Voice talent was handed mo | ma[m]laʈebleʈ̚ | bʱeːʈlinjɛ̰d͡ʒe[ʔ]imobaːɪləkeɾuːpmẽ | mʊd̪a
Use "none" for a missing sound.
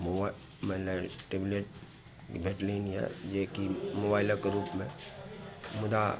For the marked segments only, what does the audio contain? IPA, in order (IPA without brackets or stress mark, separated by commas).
none, k